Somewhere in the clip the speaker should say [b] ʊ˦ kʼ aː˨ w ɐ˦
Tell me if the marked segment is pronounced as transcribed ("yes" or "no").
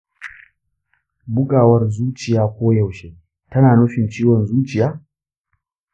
yes